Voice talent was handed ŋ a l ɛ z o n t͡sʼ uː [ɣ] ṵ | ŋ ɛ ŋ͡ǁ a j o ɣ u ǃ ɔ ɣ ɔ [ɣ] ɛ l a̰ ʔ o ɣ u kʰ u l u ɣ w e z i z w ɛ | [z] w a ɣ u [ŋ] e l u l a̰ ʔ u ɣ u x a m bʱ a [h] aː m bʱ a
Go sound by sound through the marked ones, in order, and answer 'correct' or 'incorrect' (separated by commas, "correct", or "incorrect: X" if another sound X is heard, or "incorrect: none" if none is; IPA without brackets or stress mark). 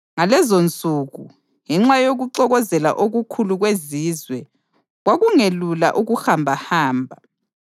correct, incorrect: z, incorrect: ɣ, correct, correct